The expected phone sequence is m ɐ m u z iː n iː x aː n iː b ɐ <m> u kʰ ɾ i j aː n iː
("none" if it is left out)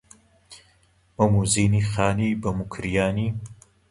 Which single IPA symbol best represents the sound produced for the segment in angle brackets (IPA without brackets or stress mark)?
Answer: m